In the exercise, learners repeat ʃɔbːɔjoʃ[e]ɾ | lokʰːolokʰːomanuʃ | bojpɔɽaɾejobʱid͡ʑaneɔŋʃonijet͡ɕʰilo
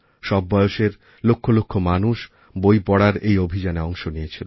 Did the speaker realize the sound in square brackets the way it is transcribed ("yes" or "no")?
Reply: yes